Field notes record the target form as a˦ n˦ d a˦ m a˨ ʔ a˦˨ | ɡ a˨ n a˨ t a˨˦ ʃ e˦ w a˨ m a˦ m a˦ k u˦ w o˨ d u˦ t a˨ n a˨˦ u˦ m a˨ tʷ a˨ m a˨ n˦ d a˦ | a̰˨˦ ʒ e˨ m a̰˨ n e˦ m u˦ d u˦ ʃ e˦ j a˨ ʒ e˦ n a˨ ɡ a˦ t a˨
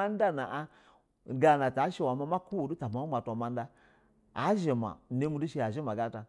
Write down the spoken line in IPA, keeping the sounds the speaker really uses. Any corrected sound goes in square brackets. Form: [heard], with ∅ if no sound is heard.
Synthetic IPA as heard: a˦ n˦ d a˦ [n] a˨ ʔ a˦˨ | ɡ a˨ n a˨ t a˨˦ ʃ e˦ w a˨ m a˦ m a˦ k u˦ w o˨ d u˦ t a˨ [m] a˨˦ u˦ m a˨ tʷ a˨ m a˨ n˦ d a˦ | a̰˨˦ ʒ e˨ m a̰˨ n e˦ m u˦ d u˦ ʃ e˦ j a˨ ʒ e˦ [m] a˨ ɡ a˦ t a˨